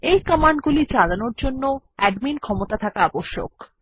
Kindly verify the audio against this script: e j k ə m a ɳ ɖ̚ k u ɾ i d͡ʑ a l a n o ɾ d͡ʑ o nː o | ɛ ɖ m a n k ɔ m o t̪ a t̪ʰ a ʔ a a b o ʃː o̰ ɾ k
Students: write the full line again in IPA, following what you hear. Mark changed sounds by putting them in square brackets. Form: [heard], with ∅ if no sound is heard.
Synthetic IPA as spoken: e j k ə m a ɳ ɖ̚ [ɡ] u [l] i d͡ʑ a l a n o ɾ d͡ʑ o nː o | ɛ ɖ m [i] n [kʰ] ɔ m o t̪ a t̪ʰ a [k] a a b o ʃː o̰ [∅] k